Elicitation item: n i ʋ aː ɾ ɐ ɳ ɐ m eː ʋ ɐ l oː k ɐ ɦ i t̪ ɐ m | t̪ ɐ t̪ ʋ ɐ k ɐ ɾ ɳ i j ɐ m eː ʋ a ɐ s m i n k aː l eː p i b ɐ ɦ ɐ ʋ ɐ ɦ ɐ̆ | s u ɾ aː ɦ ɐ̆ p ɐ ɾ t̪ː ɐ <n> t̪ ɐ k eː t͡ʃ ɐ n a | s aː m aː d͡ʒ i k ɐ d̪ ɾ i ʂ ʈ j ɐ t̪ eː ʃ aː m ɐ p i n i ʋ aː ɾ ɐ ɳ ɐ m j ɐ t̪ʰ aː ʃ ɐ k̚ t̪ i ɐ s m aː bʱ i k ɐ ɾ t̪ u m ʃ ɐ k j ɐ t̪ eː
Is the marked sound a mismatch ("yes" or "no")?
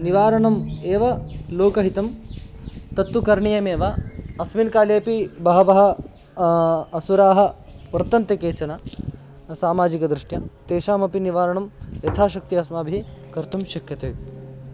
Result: no